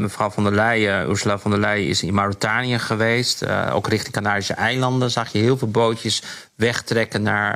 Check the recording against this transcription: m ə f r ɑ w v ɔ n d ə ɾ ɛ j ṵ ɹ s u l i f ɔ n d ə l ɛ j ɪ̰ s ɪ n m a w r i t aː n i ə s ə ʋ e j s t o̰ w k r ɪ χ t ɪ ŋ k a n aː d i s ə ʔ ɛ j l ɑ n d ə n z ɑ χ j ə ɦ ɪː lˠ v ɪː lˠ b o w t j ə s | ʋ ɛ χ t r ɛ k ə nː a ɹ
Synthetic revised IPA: m ə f r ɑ w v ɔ n d ə l ɛ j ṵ ɹ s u l a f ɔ n d ə l ɛ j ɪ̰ s ɪ n m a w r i t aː n i ə χ ə ʋ e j s t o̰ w k r ɪ χ t ɪ ŋ k a n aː d i s ə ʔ ɛ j l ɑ n d ə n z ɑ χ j ə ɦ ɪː lˠ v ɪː lˠ b o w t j ə s | ʋ ɛ χ t r ɛ k ə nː a ɹ